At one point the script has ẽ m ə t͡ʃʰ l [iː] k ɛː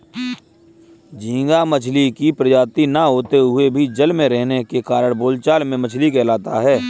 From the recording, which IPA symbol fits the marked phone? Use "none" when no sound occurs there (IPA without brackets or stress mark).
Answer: i